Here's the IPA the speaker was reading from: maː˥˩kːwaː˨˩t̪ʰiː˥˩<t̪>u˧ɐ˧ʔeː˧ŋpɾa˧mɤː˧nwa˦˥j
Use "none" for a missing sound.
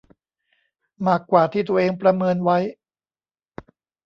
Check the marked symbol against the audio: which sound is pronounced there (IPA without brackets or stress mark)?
t̪